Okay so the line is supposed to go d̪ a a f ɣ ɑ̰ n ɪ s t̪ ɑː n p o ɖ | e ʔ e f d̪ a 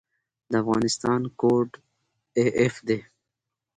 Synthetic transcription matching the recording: d̪ ə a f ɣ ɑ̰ n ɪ s t̪ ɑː n k o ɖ | e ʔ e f d̪ e